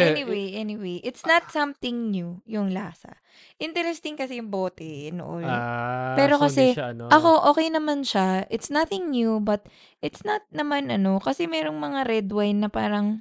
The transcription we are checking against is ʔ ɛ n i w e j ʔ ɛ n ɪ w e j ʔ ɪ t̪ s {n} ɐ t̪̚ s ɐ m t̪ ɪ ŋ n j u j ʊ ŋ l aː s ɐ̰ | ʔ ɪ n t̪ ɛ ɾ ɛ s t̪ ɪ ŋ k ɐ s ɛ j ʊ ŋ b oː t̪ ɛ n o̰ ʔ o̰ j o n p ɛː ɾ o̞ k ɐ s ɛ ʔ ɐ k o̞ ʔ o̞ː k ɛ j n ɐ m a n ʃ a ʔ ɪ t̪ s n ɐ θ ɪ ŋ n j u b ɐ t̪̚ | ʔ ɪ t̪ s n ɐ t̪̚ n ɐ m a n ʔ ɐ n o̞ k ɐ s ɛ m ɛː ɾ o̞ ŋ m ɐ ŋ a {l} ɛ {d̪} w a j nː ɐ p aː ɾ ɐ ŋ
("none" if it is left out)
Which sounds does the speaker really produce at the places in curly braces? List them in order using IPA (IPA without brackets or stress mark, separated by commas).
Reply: n, ɾ, d̪